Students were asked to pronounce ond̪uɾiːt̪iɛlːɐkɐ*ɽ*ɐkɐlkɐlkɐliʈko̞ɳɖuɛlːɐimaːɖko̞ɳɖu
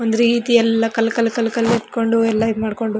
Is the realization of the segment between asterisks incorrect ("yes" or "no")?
yes